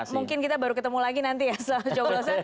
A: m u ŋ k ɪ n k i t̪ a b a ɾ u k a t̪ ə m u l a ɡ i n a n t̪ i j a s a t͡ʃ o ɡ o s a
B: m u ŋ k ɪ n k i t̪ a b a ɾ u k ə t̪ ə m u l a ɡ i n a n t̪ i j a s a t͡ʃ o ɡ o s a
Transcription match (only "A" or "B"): B